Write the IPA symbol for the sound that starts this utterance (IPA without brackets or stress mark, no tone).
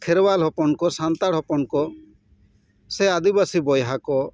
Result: kʰ